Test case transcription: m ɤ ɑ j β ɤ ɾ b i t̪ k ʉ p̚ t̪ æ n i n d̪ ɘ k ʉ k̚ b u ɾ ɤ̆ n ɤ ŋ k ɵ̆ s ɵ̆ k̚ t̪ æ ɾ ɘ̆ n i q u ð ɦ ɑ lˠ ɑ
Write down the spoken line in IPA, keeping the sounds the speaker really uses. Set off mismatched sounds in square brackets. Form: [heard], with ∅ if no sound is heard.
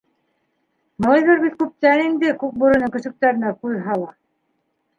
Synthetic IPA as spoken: m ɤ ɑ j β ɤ ɾ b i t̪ k ʉ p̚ t̪ æ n i n d̪ ɘ k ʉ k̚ b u ɾ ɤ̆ n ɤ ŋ k ɵ̆ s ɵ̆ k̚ t̪ æ ɾ ɘ̆ n [æ] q u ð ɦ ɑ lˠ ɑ